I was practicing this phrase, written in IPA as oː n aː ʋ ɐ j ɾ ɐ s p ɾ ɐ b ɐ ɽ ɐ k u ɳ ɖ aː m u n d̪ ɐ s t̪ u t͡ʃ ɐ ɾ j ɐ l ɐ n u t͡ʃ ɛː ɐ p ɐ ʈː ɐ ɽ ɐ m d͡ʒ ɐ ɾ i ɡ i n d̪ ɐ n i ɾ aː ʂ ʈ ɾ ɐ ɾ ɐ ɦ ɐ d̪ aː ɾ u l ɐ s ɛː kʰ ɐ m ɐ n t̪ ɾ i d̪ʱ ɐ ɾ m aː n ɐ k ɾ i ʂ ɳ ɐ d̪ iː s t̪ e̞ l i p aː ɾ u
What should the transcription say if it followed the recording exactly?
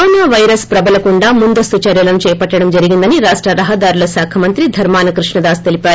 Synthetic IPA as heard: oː n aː ʋ ɐ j ɾ ɐ s p ɾ ɐ b ɐ l ɐ k u ɳ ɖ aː m u n d̪ ɐ s t̪ u t͡ʃ ɐ ɾ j ɐ l ɐ n u t͡ʃ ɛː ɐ p ɐ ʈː ɐ ɽ ɐ m d͡ʒ ɐ ɾ i ɡ i n d̪ ɐ n i ɾ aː ʂ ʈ ɾ ɐ ɾ ɐ ɦ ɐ d̪ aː ɾ u l ɐ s aː kʰ ɐ m ɐ n t̪ ɾ i d̪ʱ ɐ ɾ m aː n ɐ k ɾ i ʂ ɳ ɐ d̪ aː s t̪ e̞ l i p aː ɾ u

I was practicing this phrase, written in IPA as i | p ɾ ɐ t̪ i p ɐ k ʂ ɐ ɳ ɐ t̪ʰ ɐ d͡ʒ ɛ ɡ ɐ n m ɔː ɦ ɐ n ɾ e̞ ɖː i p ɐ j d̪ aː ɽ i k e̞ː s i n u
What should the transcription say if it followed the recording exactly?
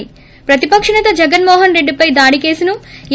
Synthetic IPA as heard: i | p ɾ ɐ t̪ i p ɐ k ʂ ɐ ɳ ɐ t̪ ɐ d͡ʒ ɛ ɡ ɐ n m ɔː ɦ ɐ n ɾ e̞ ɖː i p ɐ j d̪ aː ɽ i k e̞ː s i n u

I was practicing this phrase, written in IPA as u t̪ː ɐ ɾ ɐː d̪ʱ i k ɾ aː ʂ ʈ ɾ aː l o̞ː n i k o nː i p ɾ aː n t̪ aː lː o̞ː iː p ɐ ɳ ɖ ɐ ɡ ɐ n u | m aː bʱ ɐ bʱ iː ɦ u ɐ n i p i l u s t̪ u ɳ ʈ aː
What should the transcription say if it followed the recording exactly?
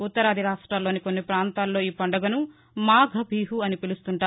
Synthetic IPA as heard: u t̪ː ɐ ɾ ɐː d̪ʱ i ɾ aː ʂ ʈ ɾ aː l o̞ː n i k o nː i p ɾ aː n t̪ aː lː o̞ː iː p ɐ ɳ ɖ ɐ ɡ ɐ n u | m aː ɡʱ ɐ bʱ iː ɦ u ɐ n i p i l u s t̪ u ɳ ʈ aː

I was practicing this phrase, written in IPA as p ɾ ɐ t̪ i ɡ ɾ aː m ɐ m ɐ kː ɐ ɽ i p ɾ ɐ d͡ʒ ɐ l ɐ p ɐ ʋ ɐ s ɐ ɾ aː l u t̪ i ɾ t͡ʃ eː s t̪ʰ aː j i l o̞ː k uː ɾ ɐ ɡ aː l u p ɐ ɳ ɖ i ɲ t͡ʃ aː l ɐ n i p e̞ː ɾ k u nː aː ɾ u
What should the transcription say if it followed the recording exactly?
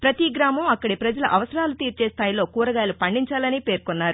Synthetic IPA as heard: p ɾ ɐ t̪ i ɡ ɾ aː m ɐ m ɐ kː ɐ ɽ i p ɾ ɐ d͡ʒ ɐ l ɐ ʔ ɐ ʋ ɐ s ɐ ɾ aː l u t̪ iː ɾ t͡ʃ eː s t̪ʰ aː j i l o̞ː k uː ɾ ɐ ɡ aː l u p ɐ ɳ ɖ i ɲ t͡ʃ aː l ɐ n i p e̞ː ɾ k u nː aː ɾ u

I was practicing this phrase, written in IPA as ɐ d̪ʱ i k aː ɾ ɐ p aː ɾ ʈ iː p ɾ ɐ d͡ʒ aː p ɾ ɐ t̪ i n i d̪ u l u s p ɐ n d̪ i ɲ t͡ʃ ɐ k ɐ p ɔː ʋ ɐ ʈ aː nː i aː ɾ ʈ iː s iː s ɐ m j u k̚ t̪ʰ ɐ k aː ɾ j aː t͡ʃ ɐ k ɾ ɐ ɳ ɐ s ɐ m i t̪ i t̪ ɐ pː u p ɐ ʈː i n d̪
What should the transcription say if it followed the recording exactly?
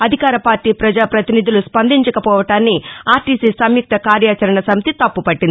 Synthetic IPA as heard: ɐ d̪ʱ i k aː ɾ ɐ p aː ɾ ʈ iː p ɾ ɐ d͡ʒ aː p ɾ ɐ t̪ i n i d̪ u l u s p ɐ n d̪ i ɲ t͡ʃ ɐ k ɐ p ɔː ʋ ɐ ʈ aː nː i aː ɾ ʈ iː s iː s ɐ m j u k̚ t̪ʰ ɐ k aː ɾ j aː t͡ʃ ɐ ɾ ɐ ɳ ɐ s ɐ m i t̪ i t̪ ɐ pː u p ɐ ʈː i n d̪

